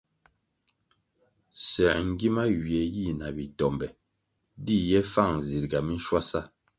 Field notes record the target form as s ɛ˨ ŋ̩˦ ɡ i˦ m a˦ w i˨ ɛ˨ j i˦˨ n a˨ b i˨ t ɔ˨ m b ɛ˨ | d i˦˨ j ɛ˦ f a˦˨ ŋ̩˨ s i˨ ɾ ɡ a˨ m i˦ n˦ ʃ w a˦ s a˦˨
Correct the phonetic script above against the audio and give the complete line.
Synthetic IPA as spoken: s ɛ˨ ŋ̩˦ ɡ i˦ m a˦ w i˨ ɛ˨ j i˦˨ n a˨ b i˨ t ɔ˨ m b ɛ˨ | d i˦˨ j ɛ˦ f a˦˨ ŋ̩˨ z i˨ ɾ ɡ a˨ m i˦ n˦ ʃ w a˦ s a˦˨